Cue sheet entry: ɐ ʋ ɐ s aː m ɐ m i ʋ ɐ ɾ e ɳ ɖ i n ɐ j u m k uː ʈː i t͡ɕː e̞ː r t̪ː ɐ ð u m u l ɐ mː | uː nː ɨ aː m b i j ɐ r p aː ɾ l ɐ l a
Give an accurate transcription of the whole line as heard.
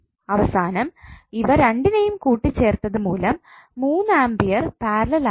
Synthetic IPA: ɐ ʋ ɐ s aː n ɐ m i ʋ ɐ ɾ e ɳ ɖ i n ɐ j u m k uː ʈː i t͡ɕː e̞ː r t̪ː ɐ ð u m uː l ɐ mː | uː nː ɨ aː m b i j ɐ r p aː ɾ l ɐ l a